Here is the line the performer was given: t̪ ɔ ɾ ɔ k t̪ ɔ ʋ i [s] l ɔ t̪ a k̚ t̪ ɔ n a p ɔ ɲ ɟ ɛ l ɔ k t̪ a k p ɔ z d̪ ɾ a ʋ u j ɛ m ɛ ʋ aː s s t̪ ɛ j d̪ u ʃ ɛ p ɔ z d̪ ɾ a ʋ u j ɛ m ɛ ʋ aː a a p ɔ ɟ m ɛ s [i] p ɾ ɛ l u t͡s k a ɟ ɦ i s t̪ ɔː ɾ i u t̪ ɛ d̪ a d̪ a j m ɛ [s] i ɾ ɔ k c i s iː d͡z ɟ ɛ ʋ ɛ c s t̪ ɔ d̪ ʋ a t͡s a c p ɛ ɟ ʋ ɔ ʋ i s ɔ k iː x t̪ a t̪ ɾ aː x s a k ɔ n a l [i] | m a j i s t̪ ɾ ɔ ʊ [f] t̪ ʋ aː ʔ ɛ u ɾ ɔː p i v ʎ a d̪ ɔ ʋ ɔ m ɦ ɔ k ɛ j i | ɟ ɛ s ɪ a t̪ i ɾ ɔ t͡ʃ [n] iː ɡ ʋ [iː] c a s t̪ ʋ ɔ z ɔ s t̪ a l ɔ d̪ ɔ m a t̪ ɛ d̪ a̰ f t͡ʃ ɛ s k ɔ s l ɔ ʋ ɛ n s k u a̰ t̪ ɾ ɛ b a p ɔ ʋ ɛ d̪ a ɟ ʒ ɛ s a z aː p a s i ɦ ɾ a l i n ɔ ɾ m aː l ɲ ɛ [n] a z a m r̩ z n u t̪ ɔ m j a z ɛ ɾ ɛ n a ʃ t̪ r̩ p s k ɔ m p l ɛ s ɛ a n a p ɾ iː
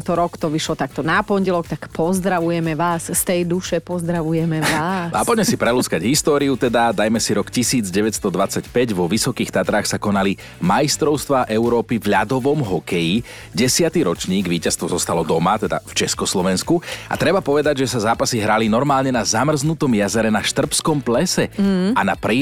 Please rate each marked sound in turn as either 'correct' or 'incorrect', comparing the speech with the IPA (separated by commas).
incorrect, correct, correct, correct, incorrect, incorrect, correct, correct